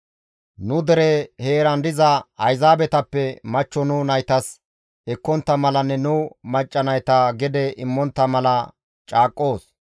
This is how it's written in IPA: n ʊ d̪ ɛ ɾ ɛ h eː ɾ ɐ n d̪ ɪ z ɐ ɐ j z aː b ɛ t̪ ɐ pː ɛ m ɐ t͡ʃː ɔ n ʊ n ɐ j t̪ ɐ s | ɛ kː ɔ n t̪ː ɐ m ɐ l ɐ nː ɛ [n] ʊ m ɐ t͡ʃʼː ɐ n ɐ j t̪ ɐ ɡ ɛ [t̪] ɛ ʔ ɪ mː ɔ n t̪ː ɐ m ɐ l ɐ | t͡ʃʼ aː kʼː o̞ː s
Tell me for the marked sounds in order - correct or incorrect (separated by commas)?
correct, incorrect